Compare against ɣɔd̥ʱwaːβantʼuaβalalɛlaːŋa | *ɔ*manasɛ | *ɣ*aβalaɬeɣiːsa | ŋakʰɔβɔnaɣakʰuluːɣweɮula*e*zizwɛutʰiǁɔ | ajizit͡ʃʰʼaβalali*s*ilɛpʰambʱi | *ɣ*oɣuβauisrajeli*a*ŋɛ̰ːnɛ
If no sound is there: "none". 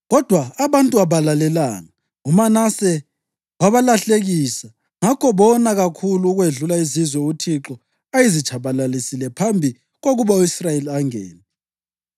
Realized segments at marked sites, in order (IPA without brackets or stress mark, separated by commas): u, w, i, s, ɣ, a